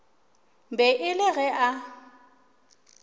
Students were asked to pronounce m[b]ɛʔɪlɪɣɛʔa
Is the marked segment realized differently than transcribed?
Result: no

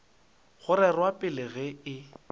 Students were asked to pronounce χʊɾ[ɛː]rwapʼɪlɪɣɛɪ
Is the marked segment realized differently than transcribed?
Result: yes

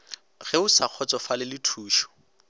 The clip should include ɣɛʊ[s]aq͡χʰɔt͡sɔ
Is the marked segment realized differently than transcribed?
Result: no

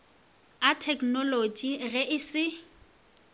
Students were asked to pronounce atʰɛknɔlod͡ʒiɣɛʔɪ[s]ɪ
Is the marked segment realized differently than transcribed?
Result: no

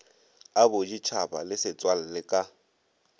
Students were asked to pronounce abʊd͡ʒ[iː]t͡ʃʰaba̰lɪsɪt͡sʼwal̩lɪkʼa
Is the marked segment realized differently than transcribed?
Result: yes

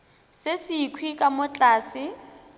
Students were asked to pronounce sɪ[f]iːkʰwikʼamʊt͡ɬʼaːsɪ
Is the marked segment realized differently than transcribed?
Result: yes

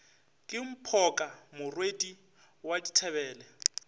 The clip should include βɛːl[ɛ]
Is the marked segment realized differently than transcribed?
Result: no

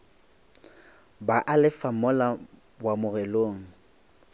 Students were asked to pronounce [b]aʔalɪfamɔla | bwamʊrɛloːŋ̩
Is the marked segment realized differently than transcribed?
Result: no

